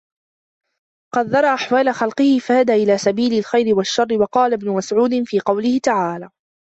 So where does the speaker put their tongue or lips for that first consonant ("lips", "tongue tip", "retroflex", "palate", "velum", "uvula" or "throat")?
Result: uvula